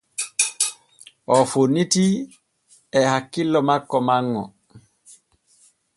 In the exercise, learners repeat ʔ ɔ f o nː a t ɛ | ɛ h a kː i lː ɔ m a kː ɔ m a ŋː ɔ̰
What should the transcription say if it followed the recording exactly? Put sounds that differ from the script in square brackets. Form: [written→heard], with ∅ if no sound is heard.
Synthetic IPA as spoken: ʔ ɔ f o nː [a→i] t [ɛ→i] | ɛ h a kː i lː ɔ m a kː ɔ m a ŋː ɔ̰

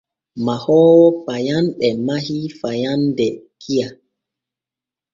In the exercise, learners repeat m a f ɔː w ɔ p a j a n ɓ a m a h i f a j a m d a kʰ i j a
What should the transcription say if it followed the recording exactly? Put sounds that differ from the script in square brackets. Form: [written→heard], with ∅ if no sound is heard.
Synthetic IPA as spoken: m a [f→h] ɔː w ɔ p a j a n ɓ [a→ɛ] m a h i f a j a [m→n] d [a→ɛ] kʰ i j a

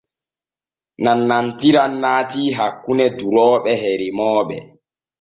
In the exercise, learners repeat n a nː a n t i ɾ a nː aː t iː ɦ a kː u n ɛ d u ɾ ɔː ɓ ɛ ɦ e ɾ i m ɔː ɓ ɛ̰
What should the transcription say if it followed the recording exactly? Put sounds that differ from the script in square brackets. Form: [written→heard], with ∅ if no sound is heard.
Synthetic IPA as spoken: n a nː a n t i ɾ a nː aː t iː ɦ a kː u n ɛ d u ɾ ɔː ɓ ɛ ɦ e ɾ i m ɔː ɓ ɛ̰

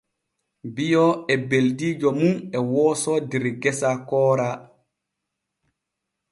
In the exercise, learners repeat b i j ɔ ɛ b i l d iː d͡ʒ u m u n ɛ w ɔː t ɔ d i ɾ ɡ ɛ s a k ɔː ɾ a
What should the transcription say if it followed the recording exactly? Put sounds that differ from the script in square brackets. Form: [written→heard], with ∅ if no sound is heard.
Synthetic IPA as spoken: b i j ɔ ɛ b [i→e] l d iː d͡ʒ [u→ɔ] m u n ɛ w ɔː [t→s] ɔ d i ɾ ɡ ɛ s a k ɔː ɾ a

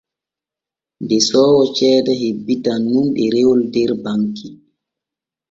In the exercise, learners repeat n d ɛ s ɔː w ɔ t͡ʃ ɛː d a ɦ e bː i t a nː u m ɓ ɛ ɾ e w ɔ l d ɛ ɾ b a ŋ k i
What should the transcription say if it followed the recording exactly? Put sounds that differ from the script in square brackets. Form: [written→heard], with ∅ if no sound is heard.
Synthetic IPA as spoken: n d ɛ s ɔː w ɔ t͡ʃ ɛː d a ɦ e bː i t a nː u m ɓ ɛ ɾ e w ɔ l d ɛ ɾ b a ŋ k i

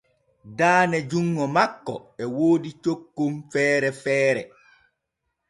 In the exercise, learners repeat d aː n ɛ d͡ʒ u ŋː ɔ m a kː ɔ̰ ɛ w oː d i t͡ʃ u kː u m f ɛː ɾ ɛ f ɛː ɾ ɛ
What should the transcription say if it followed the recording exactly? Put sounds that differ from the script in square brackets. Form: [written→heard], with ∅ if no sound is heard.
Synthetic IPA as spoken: d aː n ɛ d͡ʒ u ŋː ɔ m a kː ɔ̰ ɛ w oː d i t͡ʃ [u→o] kː u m f ɛː ɾ ɛ f ɛː ɾ ɛ

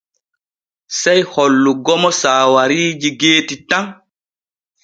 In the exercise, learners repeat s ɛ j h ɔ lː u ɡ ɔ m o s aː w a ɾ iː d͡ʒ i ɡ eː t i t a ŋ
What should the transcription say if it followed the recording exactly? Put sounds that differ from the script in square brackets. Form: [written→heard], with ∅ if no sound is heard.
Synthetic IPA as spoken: s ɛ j h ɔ lː u ɡ ɔ m [o→ɔ] s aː w a ɾ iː d͡ʒ i ɡ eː t i t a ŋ

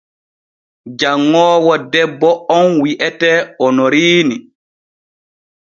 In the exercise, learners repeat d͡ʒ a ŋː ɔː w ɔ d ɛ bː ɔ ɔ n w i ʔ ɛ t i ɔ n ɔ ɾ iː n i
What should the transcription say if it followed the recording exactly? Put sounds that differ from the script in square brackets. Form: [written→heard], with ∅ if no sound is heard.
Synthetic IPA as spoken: d͡ʒ a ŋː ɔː w ɔ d ɛ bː ɔ ɔ n w i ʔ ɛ t [i→ɛ] ɔ n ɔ ɾ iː n i

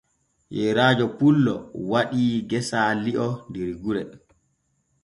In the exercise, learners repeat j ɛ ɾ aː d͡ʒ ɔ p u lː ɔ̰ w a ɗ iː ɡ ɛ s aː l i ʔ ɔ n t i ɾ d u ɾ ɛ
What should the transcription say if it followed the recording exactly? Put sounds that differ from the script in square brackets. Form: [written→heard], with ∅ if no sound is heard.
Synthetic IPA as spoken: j ɛ ɾ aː d͡ʒ ɔ p u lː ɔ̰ w a ɗ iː ɡ ɛ s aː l i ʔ ɔ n [t→d] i ɾ [d→ɡ] u ɾ ɛ

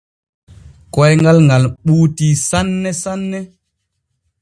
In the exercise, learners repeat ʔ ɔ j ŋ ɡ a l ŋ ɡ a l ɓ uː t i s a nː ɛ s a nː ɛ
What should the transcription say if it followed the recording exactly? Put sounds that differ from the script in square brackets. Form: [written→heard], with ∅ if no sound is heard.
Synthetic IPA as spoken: [ʔ→k] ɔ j ŋ ɡ a l ŋ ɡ a l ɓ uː t i s a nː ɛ s a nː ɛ

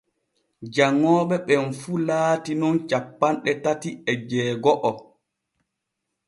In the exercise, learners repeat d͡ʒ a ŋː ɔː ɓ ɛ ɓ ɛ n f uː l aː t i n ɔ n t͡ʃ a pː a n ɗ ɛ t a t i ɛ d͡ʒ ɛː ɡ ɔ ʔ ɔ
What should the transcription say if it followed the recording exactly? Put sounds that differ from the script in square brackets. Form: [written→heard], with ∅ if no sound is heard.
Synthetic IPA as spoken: d͡ʒ a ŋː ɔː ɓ ɛ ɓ ɛ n f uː l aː t i n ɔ n t͡ʃ a pː a n ɗ ɛ t a t i ɛ d͡ʒ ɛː ɡ ɔ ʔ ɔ

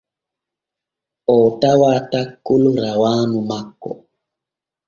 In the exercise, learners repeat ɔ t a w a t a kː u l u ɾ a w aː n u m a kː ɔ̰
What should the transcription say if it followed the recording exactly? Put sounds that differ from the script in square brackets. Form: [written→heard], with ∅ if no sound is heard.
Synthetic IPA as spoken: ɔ t a w a t a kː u l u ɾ a w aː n u m a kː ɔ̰

